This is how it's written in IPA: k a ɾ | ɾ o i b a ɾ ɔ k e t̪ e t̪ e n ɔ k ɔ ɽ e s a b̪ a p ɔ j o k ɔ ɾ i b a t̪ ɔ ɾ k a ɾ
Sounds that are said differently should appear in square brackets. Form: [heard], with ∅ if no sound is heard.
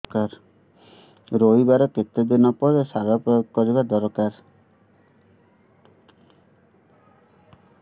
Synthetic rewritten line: k a ɾ | ɾ o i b a ɾ ɔ k e t̪ e [d̪] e n ɔ [p] ɔ [ɾ] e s a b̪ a p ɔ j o k ɔ ɾ i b a [d̪] ɔ ɾ k a ɾ

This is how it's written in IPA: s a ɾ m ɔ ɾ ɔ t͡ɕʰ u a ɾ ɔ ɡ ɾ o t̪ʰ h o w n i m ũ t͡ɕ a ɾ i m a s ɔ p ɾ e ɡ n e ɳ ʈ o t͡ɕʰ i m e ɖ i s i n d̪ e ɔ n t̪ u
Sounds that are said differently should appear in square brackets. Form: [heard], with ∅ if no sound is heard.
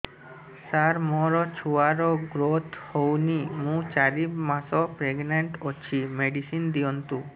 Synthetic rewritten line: s a ɾ m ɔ ɾ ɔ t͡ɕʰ u a ɾ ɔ ɡ ɾ o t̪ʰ h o w n i m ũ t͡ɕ a ɾ i m a s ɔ p ɾ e ɡ n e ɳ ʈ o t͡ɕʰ i m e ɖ i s i n d̪ [i] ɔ n t̪ u

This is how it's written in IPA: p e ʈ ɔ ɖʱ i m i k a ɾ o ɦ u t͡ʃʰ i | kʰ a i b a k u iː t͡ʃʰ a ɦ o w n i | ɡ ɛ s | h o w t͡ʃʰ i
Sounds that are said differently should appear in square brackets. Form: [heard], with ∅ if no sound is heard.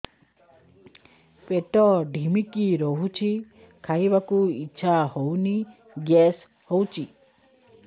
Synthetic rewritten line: p e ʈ ɔ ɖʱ i m i k [i] ɾ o ɦ u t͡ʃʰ i | kʰ a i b a k u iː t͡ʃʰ a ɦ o w n i | ɡ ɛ s | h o w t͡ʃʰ i

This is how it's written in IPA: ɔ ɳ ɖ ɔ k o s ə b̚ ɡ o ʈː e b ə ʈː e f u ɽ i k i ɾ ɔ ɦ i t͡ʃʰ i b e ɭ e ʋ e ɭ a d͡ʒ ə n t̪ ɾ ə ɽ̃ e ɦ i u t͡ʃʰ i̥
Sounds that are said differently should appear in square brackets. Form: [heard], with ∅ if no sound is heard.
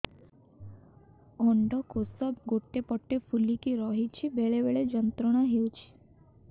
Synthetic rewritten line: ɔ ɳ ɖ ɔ k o s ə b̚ ɡ o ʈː e [p] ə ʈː e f u [l] i k i ɾ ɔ ɦ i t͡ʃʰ i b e ɭ e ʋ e ɭ [e] d͡ʒ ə n t̪ ɾ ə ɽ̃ [a] ɦ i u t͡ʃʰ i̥

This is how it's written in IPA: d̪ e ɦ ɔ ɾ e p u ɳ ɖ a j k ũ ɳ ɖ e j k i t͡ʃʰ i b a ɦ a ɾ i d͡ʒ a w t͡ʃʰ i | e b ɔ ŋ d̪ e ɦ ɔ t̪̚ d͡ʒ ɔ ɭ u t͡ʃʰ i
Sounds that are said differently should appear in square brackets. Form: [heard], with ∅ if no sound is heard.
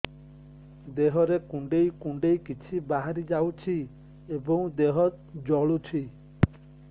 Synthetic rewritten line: d̪ e ɦ ɔ ɾ e [k] u ɳ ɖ [e] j k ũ ɳ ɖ e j k i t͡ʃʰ i b a ɦ a ɾ i d͡ʒ a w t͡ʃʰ i | e b ɔ ŋ d̪ e ɦ ɔ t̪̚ d͡ʒ ɔ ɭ u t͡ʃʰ i

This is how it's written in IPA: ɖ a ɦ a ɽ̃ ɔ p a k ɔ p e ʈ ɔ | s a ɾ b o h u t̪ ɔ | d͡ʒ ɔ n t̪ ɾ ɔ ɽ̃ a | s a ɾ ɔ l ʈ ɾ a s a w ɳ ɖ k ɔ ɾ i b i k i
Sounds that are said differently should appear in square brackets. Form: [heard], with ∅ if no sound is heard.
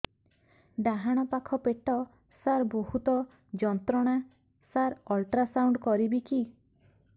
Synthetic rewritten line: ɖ a ɦ a ɽ̃ ɔ p a [kʰ] ɔ p e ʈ ɔ | s a ɾ b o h u t̪ ɔ | d͡ʒ ɔ n t̪ ɾ ɔ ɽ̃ a | s a ɾ ɔ l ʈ ɾ a s a w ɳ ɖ k ɔ ɾ i b i k i

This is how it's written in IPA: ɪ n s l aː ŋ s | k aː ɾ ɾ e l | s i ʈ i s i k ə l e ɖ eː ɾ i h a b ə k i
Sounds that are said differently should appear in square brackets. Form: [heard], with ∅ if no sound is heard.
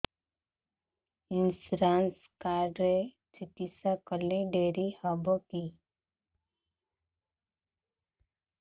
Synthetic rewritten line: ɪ n s [ɾ] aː [n] s | k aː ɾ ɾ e [∅] | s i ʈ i s [a] k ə l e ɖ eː ɾ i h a b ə k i

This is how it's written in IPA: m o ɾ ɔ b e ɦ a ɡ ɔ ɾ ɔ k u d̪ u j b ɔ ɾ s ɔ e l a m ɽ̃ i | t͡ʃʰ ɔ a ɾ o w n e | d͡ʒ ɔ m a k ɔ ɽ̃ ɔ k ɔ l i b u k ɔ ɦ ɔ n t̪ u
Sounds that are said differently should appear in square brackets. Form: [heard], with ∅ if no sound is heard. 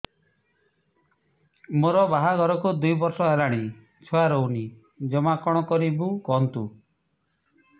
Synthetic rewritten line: m o ɾ ɔ b [a] ɦ a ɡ ɔ ɾ ɔ k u d̪ u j b ɔ ɾ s ɔ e l a [∅] ɽ̃ i | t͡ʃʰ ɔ a ɾ o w n [i] | d͡ʒ ɔ m a k ɔ ɽ̃ ɔ k ɔ [ɾ] i b u k ɔ ɦ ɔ n t̪ u

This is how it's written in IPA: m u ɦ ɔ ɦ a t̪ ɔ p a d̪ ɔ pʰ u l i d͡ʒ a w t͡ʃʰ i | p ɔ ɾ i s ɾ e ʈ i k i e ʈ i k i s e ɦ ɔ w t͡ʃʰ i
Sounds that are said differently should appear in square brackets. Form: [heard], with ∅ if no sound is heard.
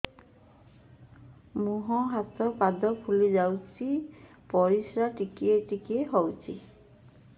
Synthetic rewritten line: m u ɦ ɔ ɦ a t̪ ɔ p a d̪ ɔ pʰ u l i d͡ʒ a w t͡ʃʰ i | p ɔ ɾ i s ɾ [a] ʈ i k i e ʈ i k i [∅] e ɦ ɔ w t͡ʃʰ i

